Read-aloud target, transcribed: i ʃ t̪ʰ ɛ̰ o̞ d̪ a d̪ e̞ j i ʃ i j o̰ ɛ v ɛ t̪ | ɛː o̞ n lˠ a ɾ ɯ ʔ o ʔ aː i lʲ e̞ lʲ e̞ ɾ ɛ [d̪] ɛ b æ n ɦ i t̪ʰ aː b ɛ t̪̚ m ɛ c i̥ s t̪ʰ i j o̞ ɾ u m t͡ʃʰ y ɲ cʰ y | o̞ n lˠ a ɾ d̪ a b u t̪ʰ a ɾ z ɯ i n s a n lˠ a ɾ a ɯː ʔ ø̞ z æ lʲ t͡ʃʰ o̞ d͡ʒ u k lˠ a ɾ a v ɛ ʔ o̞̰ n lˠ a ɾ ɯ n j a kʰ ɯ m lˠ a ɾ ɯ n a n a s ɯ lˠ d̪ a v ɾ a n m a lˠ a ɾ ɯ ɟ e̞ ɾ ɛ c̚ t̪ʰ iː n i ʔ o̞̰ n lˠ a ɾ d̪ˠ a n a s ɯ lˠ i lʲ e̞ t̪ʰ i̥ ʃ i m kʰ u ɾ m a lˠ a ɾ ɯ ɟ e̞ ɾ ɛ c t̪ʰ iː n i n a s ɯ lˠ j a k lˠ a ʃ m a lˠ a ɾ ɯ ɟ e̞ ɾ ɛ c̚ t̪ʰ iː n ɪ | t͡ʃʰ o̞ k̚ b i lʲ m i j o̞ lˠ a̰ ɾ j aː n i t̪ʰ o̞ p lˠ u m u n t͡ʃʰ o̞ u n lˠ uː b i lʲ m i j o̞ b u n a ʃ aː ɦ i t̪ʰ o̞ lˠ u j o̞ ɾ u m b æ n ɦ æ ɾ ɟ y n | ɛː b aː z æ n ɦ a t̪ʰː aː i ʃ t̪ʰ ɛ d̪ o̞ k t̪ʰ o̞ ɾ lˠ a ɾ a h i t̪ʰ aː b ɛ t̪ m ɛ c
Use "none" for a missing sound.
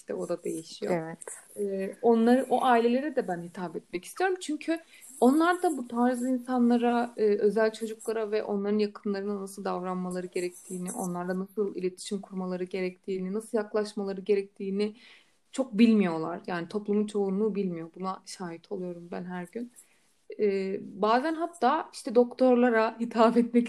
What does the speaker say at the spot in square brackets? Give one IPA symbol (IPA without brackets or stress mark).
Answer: d̪